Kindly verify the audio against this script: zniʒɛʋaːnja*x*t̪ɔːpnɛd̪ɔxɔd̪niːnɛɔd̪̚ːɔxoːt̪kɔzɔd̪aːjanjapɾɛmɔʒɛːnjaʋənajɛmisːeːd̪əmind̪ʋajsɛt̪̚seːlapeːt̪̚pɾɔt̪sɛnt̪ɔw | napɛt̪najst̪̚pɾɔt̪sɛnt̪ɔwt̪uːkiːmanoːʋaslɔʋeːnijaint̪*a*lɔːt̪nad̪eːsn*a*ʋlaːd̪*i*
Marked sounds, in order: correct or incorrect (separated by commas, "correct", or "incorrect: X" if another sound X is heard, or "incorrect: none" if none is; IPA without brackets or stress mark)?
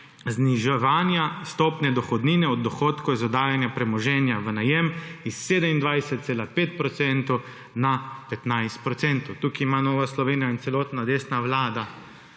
incorrect: s, incorrect: ɛ, correct, incorrect: a